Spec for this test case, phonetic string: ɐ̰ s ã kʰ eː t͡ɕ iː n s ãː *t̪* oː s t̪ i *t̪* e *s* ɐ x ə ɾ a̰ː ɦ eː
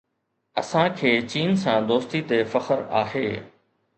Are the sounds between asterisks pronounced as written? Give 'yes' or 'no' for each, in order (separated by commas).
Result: no, yes, no